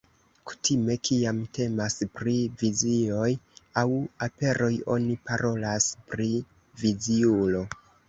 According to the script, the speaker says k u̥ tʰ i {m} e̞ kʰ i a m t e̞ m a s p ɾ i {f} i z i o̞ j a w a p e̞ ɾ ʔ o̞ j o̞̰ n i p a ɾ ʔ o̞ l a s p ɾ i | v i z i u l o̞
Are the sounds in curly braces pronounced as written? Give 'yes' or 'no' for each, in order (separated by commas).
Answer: yes, no